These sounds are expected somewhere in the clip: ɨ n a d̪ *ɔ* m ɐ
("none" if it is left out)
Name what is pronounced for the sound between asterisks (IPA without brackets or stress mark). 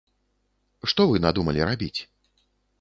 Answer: u